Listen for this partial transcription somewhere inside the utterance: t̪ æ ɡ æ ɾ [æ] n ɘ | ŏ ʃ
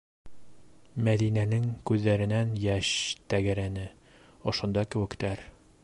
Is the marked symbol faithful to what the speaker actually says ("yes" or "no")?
yes